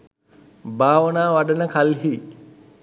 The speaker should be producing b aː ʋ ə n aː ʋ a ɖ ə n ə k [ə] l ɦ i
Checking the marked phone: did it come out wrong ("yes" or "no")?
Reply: yes